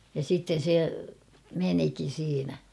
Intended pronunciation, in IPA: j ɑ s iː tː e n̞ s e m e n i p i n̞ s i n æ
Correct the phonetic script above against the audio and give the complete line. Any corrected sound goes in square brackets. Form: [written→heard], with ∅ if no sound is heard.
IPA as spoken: j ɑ s [iː→i] tː e n̞ s e m e n i [p→k] i n̞ s [i→iː] n æ